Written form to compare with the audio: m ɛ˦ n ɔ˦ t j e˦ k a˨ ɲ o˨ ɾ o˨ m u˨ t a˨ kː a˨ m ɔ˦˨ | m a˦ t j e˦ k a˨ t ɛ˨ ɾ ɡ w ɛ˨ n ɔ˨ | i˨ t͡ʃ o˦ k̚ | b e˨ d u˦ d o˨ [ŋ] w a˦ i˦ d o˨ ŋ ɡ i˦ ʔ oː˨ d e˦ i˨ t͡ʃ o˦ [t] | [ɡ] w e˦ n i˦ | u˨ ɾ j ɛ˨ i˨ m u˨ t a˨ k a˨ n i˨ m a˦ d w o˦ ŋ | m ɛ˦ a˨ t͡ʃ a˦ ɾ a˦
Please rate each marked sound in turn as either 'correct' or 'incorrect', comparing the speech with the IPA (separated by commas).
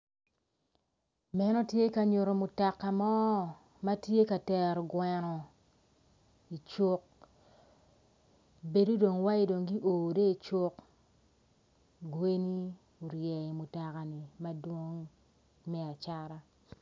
correct, incorrect, correct